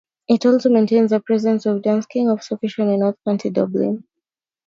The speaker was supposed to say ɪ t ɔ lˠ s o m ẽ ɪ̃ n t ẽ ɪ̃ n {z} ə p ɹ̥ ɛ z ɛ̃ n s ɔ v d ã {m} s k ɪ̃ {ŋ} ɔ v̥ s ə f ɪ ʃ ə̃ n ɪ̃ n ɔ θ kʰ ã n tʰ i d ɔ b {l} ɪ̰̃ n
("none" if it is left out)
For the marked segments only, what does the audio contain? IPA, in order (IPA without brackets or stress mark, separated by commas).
z, n, ŋ, l